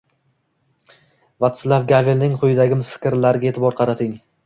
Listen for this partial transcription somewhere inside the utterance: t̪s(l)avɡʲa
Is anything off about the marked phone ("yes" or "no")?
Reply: no